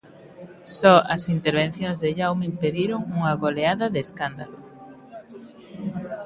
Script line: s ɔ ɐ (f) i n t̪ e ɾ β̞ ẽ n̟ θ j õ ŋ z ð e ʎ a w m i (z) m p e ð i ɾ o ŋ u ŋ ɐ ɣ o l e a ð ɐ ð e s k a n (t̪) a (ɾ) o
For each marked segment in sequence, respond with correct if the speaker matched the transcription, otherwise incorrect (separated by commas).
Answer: incorrect, incorrect, incorrect, incorrect